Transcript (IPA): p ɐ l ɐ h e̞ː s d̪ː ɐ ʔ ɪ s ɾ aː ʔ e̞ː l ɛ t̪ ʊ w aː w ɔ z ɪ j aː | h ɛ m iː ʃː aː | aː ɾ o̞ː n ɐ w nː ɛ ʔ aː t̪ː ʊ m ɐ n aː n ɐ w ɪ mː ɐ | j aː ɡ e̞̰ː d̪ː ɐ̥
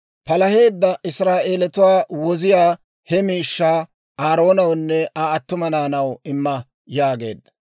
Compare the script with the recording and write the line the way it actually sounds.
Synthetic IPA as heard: p ɐ l ɐ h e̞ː d̪ː ɐ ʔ ɪ s ɾ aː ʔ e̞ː l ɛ t̪ ʊ w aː w ɔ z ɪ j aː | h ɛ m iː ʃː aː | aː ɾ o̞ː n ɐ w nː ɛ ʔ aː t̪ː ʊ m ɐ n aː n ɐ w ɪ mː ɐ | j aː ɡ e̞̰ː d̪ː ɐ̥